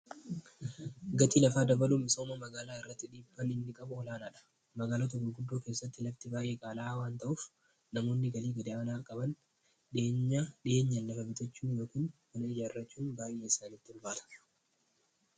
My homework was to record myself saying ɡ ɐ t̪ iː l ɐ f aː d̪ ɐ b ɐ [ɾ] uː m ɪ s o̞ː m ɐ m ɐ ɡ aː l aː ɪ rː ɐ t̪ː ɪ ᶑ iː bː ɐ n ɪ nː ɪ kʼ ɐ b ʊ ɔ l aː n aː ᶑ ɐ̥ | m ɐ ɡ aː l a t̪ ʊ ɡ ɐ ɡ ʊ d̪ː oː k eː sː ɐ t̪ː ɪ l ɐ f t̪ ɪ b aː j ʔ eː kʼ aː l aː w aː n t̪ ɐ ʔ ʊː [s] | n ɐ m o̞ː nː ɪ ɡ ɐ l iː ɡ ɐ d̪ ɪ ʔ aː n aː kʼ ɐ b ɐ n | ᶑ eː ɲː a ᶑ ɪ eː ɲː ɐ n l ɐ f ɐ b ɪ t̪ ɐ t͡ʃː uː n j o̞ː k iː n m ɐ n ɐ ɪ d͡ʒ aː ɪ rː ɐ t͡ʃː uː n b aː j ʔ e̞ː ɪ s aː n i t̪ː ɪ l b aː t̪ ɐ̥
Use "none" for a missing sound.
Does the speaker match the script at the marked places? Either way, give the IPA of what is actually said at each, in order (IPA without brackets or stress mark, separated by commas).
l, f